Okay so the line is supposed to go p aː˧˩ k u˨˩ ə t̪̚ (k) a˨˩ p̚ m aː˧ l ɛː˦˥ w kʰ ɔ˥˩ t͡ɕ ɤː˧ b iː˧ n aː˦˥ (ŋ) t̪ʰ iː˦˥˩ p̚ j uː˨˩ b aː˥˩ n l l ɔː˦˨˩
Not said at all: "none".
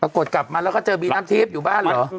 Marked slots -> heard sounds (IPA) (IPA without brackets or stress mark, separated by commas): k, m